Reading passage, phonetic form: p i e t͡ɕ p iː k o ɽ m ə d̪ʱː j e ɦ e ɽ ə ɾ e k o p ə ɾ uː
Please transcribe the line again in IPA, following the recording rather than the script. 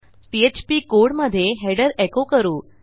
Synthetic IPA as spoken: p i e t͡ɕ p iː k o ɽ m ə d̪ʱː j e ɦ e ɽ ə ɾ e k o k ə ɾ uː